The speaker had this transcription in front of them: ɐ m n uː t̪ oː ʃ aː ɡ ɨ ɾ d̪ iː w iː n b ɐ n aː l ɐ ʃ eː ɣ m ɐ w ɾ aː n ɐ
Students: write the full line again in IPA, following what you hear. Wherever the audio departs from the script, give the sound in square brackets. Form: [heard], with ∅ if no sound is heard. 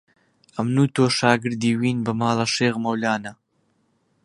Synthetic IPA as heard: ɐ m n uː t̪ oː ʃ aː ɡ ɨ ɾ d̪ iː w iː n b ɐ [m] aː l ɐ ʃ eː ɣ m ɐ w [l] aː n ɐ